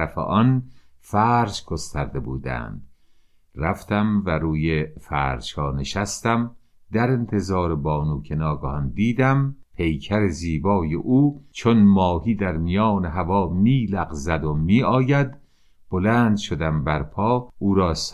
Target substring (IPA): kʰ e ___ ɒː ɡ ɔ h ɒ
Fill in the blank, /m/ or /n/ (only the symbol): n